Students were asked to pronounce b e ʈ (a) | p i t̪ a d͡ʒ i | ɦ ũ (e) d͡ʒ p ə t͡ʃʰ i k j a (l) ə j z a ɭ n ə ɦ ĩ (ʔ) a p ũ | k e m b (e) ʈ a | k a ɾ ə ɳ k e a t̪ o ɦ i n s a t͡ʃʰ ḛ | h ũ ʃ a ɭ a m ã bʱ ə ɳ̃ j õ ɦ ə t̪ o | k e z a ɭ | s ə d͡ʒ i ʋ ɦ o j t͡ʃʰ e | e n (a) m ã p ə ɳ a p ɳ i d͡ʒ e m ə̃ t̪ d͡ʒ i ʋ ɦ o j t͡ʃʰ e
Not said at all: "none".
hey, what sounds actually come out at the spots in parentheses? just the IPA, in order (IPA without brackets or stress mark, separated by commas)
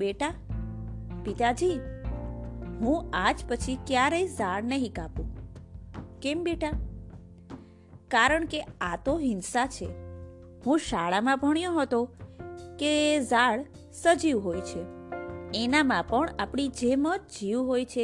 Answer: a, a, ɾ, k, e, a